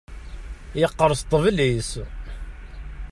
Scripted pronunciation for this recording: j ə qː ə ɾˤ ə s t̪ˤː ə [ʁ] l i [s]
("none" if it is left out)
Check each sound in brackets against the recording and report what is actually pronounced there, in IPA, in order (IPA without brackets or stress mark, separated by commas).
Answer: v, s